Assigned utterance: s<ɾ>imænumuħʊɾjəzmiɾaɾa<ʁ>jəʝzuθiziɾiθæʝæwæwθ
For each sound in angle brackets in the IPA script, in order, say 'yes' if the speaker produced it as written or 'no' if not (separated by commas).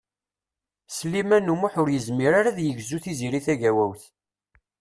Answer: no, no